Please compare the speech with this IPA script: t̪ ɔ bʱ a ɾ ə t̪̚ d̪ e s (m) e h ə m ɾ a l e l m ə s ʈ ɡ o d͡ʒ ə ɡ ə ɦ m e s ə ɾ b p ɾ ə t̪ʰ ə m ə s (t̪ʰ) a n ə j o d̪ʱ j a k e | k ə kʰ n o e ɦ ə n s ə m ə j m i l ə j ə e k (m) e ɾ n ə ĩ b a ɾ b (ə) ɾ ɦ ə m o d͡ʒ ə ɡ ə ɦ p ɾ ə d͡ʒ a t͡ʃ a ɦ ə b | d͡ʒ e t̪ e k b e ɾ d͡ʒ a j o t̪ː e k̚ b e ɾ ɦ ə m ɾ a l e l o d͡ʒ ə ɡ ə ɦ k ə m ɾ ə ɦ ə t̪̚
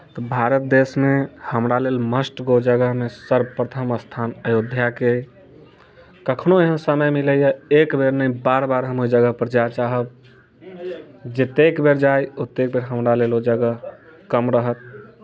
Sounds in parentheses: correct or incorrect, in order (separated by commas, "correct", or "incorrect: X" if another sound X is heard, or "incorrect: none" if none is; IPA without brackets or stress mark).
correct, correct, incorrect: b, incorrect: a